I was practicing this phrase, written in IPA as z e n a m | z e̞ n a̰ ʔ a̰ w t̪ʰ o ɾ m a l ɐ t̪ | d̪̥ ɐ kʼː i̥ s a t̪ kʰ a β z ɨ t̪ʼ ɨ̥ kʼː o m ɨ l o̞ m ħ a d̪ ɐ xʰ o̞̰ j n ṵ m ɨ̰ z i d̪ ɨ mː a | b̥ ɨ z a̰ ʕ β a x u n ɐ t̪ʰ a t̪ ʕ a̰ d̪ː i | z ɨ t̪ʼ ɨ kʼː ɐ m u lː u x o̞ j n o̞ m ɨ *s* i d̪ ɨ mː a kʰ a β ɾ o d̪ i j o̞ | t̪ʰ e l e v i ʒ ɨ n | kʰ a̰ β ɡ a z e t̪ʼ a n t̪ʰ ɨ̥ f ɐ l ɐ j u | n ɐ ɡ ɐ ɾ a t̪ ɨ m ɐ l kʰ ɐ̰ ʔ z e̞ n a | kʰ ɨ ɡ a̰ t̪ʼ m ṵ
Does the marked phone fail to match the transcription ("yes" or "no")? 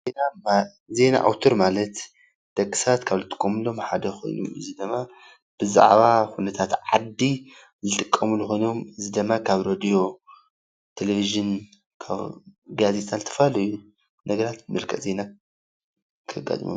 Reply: yes